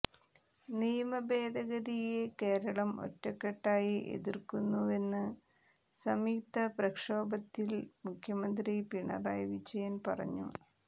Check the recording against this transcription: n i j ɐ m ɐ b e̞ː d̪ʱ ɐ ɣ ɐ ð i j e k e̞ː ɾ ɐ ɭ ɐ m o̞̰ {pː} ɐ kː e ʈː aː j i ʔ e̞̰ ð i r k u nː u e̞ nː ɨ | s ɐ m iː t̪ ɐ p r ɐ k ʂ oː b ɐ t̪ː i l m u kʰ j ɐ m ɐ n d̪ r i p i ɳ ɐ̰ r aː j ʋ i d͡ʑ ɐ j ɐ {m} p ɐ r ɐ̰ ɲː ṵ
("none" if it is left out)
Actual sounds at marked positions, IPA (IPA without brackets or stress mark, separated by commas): tː, n